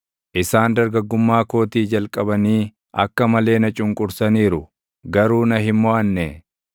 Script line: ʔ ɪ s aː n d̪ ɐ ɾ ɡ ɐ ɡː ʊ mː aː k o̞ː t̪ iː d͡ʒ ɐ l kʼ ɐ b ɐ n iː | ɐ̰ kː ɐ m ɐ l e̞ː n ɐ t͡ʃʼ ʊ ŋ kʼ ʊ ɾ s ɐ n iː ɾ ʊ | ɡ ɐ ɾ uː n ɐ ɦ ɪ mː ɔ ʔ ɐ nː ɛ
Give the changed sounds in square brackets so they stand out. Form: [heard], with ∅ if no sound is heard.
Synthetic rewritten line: ʔ ɪ s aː n d̪ ɐ ɾ ɡ ɐ ɡː ʊ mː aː k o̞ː t̪ iː d͡ʒ ɐ l kʼ ɐ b ɐ n iː | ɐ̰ kː ɐ m ɐ l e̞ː n ɐ t͡ʃʼ ʊ ŋ kʼ ʊ ɾ s ɐ n iː ɾ ʊ | ɡ ɐ ɾ uː n ɐ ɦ ɪ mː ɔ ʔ ɐ nː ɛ